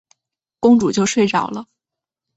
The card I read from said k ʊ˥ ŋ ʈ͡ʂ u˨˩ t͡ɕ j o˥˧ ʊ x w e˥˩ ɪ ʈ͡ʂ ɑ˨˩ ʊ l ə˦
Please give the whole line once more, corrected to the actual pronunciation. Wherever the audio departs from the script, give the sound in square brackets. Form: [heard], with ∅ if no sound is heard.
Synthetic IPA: k ʊ˥ ŋ ʈ͡ʂ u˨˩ t͡ɕ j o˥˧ ʊ [ʂ] w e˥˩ ɪ ʈ͡ʂ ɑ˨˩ ʊ l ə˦